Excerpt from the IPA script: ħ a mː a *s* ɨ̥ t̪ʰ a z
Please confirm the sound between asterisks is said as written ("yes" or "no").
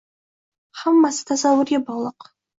yes